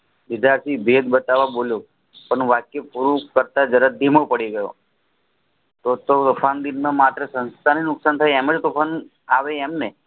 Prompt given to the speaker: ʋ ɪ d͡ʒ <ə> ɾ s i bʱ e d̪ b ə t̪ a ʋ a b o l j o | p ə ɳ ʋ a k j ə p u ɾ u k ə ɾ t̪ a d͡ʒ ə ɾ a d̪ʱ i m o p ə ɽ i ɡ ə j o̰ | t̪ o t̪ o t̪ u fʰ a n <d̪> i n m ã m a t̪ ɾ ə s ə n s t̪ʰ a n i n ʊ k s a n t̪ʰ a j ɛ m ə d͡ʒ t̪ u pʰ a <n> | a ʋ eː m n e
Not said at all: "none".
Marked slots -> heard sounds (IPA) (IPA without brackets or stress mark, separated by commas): a, d̪, n